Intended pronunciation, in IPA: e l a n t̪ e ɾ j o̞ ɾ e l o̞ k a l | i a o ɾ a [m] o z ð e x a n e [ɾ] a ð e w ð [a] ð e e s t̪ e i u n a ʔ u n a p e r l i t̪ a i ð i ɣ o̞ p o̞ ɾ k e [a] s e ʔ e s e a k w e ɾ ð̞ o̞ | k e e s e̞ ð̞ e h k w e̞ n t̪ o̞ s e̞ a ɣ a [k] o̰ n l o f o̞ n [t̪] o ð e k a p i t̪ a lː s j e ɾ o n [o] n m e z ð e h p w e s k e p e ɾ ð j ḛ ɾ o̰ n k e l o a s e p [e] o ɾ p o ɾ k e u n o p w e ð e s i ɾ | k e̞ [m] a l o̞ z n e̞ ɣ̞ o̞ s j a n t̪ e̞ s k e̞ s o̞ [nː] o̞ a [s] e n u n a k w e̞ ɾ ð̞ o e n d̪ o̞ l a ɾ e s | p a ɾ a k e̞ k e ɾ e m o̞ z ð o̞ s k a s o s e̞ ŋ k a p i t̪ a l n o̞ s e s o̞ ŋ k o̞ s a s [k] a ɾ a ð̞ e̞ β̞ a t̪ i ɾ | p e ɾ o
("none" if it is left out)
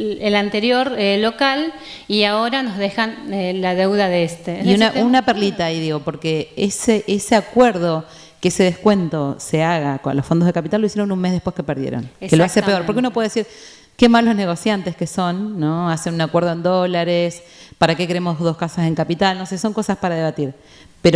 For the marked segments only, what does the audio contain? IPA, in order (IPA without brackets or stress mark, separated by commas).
n, l, a, e, k, d̪, u, e, m, nː, s, p